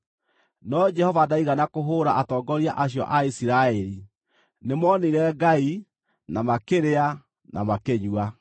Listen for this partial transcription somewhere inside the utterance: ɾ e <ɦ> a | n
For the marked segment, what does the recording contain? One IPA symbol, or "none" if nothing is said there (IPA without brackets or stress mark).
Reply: none